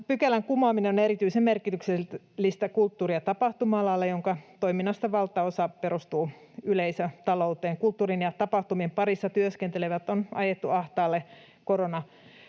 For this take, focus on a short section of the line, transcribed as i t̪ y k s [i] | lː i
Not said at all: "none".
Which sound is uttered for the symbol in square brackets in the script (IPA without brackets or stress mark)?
e